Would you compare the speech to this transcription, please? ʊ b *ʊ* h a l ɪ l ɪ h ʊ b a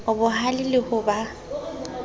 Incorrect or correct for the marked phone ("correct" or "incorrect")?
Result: correct